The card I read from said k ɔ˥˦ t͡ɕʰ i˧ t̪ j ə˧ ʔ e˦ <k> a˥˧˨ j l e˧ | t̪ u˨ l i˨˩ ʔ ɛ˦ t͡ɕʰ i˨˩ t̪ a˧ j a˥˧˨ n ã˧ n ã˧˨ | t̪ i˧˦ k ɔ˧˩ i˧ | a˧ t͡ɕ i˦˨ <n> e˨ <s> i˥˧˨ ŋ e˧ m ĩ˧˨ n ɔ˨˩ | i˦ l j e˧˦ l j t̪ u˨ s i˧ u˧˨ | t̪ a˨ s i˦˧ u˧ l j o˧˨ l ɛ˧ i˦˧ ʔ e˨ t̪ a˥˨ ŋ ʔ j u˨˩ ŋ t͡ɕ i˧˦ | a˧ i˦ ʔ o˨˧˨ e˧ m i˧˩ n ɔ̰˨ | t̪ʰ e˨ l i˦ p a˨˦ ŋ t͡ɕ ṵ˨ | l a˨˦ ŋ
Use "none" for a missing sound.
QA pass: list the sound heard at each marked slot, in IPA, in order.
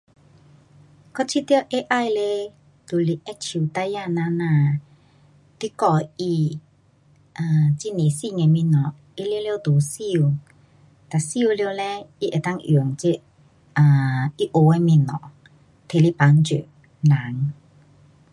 ʔ, n, s

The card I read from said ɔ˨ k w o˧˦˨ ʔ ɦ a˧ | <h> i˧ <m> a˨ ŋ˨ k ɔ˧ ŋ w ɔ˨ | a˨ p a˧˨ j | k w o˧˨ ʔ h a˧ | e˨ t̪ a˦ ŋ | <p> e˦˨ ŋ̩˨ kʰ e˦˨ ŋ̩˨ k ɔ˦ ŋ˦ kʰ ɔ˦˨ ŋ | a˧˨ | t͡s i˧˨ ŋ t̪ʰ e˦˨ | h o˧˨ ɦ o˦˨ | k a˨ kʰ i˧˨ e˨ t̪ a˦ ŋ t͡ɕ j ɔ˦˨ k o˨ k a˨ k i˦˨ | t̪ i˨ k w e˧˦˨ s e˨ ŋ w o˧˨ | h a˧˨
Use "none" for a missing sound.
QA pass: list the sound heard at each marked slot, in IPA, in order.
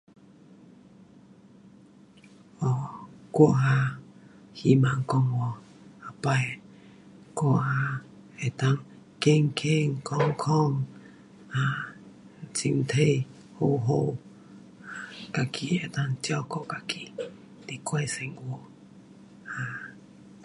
h, m, k

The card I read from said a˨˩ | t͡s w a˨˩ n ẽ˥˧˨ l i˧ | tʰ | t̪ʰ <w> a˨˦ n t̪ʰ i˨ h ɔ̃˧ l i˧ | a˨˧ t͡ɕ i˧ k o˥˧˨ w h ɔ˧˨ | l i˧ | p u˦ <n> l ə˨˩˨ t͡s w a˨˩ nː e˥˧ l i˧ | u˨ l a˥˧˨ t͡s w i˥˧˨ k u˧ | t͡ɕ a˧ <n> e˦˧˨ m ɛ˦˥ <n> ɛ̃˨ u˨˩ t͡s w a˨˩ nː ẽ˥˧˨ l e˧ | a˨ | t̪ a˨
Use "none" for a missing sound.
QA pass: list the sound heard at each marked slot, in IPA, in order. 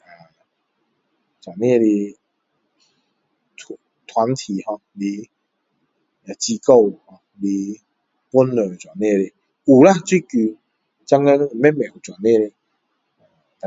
w, n, ŋ, m

